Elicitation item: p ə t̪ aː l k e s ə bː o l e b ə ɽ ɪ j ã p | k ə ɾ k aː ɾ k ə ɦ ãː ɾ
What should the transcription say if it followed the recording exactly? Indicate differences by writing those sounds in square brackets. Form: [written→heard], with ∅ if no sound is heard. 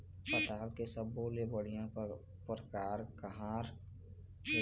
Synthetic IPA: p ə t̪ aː l k e s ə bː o l e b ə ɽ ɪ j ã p | [k→p] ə ɾ k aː ɾ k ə ɦ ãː ɾ